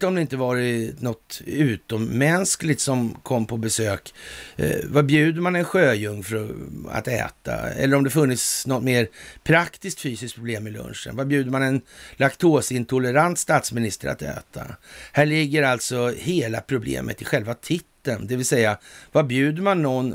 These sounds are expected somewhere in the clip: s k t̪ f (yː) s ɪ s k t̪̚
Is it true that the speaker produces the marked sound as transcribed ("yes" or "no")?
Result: yes